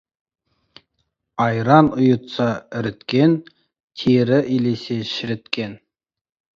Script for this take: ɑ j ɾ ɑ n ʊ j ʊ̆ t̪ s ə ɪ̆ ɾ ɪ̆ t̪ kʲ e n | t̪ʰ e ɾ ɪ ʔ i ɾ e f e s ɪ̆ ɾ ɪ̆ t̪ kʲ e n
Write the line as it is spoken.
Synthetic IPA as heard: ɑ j ɾ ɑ n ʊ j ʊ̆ t̪ s ɑ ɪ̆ ɾ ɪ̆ t̪ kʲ e n | t̪ʰ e ɾ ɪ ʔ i l e s e ʃ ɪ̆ ɾ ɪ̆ t̪ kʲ e n